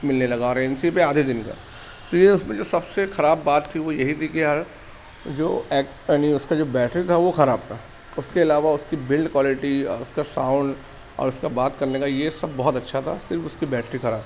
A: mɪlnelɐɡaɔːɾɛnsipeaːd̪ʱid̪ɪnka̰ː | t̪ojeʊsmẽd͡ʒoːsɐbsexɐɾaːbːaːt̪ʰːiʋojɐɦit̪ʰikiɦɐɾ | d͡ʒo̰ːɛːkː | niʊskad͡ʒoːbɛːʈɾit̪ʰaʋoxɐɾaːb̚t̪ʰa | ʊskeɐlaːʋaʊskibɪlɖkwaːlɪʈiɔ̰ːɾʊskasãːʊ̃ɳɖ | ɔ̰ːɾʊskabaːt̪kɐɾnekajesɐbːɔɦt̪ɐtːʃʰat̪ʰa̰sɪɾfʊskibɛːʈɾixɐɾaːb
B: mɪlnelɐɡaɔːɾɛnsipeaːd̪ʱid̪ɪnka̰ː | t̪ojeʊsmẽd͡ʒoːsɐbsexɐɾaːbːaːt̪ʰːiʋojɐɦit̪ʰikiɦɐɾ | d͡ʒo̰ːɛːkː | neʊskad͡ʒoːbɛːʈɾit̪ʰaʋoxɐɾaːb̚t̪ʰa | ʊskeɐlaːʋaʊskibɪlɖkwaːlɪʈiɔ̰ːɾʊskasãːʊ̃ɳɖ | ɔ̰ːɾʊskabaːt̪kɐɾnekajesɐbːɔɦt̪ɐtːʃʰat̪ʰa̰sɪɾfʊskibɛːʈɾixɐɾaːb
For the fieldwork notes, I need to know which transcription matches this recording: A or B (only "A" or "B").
A